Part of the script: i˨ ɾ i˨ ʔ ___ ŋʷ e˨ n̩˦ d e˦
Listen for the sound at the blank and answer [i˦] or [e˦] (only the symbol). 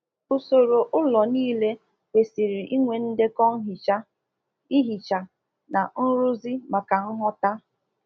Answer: i˦